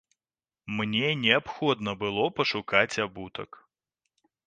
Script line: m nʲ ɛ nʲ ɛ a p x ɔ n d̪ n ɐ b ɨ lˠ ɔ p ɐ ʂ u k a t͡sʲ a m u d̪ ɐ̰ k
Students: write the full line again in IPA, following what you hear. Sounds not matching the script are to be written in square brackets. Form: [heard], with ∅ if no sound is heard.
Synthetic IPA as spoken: m nʲ ɛ nʲ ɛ a p x ɔ [∅] d̪ n ɐ b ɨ lˠ ɔ p ɐ ʂ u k a t͡sʲ a [b] u [t̪] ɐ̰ k